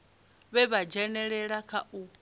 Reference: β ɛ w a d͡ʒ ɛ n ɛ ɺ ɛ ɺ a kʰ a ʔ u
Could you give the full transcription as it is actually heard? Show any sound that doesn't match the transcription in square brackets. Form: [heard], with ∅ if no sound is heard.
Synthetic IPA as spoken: β ɛ [β] a d͡ʒ ɛ n ɛ ɺ ɛ ɺ a kʰ a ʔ u